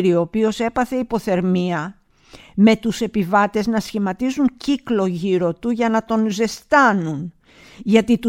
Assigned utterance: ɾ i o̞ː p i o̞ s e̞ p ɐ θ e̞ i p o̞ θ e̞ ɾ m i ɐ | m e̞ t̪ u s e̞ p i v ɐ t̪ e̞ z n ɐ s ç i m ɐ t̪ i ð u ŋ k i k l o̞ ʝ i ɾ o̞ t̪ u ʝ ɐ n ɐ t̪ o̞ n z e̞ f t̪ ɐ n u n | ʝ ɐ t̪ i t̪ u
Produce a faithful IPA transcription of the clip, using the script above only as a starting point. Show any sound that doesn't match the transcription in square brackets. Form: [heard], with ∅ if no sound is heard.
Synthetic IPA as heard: ɾ i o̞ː p i o̞ s e̞ p ɐ θ e̞ i p o̞ θ e̞ ɾ m i ɐ | m e̞ t̪ u s e̞ p i v ɐ t̪ e̞ z n ɐ s ç i m ɐ t̪ i [z] u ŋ [c] i k l o̞ ʝ i ɾ o̞ t̪ u ʝ ɐ n ɐ t̪ o̞ n z e̞ [s] t̪ ɐ n u n | ʝ ɐ t̪ i t̪ u